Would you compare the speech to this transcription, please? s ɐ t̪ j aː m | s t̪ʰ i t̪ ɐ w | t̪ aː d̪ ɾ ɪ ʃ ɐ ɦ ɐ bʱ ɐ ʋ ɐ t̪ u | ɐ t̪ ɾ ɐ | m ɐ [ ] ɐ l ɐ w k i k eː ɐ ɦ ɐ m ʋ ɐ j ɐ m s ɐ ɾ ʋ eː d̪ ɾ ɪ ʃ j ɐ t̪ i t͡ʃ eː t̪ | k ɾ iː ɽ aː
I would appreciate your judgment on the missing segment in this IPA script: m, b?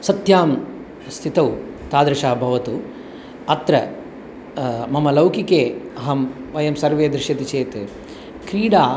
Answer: m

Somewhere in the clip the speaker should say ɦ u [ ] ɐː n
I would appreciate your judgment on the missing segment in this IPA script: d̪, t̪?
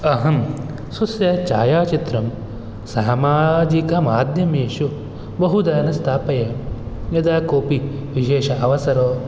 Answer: d̪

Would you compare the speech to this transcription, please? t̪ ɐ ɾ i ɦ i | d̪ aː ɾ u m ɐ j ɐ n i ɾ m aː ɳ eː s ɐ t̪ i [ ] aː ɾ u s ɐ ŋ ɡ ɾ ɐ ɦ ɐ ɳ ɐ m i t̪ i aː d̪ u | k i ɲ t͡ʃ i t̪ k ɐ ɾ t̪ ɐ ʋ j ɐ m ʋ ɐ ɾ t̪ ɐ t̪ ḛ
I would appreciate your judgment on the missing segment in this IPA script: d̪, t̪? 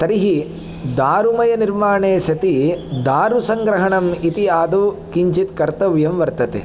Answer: d̪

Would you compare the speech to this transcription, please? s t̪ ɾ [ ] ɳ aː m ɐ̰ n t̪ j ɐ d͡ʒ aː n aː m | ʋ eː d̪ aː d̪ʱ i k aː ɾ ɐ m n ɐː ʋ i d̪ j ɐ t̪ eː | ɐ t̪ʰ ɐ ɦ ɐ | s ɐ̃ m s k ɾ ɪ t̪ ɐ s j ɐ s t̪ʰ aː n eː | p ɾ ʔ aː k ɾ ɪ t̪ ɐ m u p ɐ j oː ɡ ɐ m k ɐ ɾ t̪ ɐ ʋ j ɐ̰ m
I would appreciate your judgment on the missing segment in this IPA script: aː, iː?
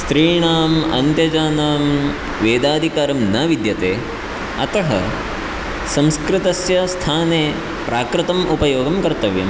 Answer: iː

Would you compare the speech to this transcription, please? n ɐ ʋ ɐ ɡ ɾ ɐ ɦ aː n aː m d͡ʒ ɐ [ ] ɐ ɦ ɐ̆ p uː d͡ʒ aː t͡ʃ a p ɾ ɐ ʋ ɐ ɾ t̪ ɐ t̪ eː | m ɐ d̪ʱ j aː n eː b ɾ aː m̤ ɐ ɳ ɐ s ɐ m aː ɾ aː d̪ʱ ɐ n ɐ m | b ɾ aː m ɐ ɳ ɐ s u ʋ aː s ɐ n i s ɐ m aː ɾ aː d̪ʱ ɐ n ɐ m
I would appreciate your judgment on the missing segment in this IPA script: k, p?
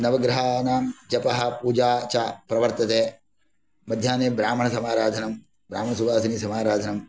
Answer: p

